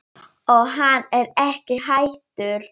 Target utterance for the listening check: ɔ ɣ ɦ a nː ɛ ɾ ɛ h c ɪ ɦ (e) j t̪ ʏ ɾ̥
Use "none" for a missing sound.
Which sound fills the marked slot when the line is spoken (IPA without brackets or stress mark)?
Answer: a